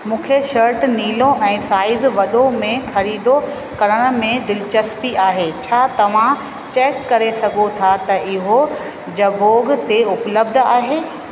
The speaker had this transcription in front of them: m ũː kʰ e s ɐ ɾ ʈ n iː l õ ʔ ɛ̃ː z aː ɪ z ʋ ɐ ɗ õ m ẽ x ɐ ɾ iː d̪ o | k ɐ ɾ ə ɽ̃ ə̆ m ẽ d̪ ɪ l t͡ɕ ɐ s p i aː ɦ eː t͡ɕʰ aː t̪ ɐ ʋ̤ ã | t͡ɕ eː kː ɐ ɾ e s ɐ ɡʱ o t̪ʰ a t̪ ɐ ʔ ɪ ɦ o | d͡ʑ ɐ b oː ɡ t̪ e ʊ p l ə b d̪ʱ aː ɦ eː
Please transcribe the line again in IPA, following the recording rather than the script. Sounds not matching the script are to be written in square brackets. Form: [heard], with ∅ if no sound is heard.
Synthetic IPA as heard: m ũː kʰ e [ʃ] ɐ ɾ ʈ n iː l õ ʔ ɛ̃ː [s] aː ɪ z ʋ ɐ ɗ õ m ẽ x ɐ ɾ iː d̪ o | k ɐ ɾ ə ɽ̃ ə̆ m ẽ d̪ ɪ l t͡ɕ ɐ s p i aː ɦ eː t͡ɕʰ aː t̪ ɐ ʋ̤ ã | t͡ɕ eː kː ɐ ɾ e s ɐ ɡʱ o t̪ʰ a t̪ ɐ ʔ ɪ ɦ o | d͡ʑ ɐ b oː ɡ t̪ e ʊ p l ə b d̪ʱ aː ɦ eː

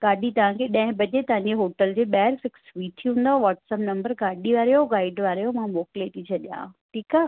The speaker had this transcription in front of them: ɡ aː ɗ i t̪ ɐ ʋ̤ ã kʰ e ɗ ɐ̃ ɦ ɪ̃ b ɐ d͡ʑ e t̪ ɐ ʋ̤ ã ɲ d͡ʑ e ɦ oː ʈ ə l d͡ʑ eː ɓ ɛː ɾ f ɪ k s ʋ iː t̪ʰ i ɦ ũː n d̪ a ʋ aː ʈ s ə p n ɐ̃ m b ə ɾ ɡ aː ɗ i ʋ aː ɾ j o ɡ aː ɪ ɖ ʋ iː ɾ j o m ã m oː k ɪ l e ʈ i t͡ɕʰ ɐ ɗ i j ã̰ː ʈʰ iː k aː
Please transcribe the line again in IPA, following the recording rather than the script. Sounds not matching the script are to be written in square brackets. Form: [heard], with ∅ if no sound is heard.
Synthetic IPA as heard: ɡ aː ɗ i t̪ ɐ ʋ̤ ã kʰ e ɗ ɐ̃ ɦ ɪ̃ b ɐ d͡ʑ e t̪ ɐ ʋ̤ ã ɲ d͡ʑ e ɦ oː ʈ ə l d͡ʑ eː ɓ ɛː ɾ f ɪ k s ʋ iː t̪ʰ i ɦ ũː n d̪ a ʋ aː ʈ s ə p n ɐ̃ m b ə ɾ ɡ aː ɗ i ʋ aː ɾ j o ɡ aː ɪ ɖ ʋ [aː] ɾ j o m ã m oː k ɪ l e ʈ i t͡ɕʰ ɐ ɗ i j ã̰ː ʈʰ iː k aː

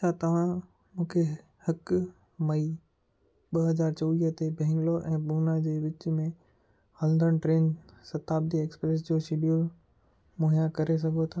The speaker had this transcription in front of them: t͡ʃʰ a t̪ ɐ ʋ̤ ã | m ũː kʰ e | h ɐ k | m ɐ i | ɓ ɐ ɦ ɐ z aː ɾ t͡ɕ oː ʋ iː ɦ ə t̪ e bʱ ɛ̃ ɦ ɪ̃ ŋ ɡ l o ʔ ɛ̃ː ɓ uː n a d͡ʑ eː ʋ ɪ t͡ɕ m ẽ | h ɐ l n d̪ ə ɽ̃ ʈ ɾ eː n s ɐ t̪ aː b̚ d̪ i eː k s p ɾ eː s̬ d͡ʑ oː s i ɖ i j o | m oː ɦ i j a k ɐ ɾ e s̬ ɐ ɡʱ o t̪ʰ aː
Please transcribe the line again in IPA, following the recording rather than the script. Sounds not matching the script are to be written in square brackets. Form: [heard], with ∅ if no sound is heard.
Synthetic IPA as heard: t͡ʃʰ a t̪ ɐ ʋ̤ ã | m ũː kʰ e | h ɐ k | m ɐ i | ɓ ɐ ɦ ɐ z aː ɾ t͡ɕ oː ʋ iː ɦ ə t̪ e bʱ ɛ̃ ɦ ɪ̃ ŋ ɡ l o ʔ ɛ̃ː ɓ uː n a d͡ʑ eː ʋ ɪ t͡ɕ m ẽ | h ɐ l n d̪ ə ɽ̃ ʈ ɾ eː n s ɐ t̪ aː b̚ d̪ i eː k s p ɾ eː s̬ d͡ʑ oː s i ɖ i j o | m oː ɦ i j a k ɐ ɾ e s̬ ɐ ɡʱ o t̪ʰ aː

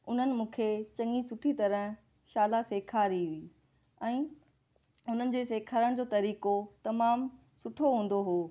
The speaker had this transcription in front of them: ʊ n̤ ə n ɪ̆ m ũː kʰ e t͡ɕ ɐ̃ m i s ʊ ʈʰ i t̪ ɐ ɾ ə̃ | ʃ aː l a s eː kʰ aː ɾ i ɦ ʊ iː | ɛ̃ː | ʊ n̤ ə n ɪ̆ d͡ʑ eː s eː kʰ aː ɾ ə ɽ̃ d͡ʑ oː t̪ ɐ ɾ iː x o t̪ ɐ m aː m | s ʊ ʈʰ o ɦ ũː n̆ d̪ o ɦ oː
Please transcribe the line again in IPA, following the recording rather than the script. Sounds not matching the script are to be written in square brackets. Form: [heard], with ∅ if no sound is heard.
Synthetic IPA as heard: ʊ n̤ ə n ɪ̆ m ũː kʰ e t͡ɕ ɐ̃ [ŋ] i s ʊ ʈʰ i t̪ ɐ ɾ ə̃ | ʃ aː l a s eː kʰ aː ɾ i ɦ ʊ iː | ɛ̃ː | ʊ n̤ ə n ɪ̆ d͡ʑ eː s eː kʰ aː ɾ ə ɽ̃ d͡ʑ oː t̪ ɐ ɾ iː [k] o t̪ ɐ m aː m | s ʊ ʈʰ o ɦ ũː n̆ d̪ o ɦ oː

